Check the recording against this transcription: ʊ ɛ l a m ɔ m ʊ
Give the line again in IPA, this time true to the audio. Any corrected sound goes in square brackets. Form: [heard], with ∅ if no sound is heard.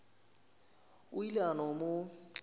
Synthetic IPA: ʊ [i] l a [n] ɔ m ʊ